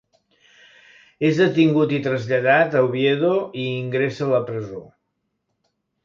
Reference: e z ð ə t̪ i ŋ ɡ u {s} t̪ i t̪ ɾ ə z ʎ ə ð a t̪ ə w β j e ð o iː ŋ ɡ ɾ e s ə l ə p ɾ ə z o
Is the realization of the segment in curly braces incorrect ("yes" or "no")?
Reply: yes